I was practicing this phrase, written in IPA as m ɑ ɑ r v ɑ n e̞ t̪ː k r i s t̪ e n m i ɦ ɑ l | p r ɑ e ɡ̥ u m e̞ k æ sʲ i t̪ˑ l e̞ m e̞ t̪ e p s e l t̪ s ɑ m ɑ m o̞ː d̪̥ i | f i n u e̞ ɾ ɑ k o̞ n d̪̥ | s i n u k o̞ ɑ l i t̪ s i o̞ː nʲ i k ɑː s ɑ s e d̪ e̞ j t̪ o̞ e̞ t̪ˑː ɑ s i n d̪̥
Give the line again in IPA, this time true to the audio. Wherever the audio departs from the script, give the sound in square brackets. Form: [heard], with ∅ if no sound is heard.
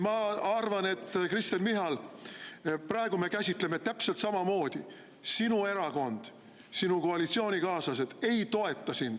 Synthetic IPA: m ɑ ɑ r v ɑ n e̞ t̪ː k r i s t̪ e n m i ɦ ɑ l | p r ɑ e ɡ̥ u m e̞ k æ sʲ i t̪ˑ l e̞ m e̞ t̪ [æ] p s e l t̪ s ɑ m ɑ m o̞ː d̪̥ i | [s] i n u e̞ ɾ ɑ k o̞ n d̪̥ | s i n u k o̞ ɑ l i t̪ s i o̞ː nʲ i k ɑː s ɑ s e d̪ e̞ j t̪ o̞ e̞ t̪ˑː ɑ s i n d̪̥